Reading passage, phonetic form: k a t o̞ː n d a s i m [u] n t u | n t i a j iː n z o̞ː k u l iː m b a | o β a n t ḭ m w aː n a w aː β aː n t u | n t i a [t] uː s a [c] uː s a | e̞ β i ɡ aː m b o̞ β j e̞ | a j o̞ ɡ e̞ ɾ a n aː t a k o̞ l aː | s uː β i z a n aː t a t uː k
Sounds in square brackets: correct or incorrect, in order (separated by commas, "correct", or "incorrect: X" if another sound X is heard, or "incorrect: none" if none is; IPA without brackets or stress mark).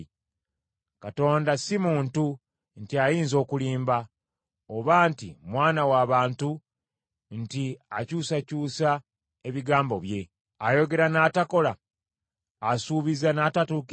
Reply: incorrect: uː, incorrect: c, correct